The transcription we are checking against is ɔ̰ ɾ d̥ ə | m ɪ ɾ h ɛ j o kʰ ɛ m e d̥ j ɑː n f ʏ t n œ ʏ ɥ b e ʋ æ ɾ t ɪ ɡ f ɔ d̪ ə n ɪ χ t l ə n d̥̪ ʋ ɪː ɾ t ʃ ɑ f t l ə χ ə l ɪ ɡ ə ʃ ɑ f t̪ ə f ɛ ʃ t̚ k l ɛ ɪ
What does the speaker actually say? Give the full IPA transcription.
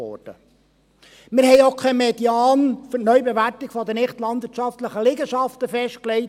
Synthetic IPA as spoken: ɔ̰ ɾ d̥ ə | m ɪ ɾ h ɛ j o kʰ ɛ m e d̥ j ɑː n f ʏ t n œ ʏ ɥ b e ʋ æ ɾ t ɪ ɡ f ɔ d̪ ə n ɪ χ t l ɑ n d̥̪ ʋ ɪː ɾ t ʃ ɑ f t l ə χ ə l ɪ ɡ ə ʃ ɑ f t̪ ə f ɛ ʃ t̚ k l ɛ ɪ